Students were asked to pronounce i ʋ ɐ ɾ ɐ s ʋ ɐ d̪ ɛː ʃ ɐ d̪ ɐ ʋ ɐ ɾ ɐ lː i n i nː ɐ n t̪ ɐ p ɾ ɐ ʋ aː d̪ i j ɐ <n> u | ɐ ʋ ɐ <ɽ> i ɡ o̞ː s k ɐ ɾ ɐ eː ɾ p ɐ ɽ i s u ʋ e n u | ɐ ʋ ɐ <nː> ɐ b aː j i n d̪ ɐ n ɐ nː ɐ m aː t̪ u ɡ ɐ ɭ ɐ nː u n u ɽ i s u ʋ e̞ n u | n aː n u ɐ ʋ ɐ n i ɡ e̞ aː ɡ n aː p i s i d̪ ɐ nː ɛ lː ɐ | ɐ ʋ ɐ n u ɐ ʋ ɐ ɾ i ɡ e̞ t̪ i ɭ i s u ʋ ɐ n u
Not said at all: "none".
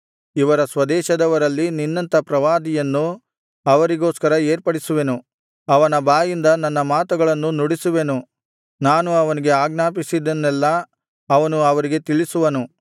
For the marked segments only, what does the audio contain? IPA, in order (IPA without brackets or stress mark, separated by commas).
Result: nː, ɾ, n